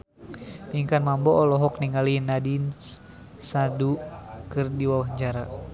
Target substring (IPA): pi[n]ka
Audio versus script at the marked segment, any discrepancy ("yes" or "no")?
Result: yes